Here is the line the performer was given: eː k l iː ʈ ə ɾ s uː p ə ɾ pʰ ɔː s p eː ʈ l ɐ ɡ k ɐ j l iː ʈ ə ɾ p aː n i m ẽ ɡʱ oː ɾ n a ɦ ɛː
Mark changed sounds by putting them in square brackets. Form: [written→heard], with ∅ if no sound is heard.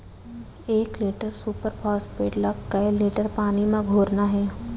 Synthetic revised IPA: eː k l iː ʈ ə ɾ s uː p ə ɾ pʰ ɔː s p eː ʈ l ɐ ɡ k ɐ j l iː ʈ ə ɾ p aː n i m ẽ ɡʱ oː ɾ n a ɦ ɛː